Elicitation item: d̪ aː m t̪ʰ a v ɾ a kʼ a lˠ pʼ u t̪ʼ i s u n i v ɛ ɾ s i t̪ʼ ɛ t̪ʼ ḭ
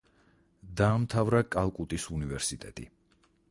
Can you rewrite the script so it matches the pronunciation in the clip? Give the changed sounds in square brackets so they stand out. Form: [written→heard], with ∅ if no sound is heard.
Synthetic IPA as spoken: d̪ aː m t̪ʰ a v ɾ a kʼ a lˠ [pʼ→kʼ] u t̪ʼ i s u n i v ɛ ɾ s i t̪ʼ ɛ t̪ʼ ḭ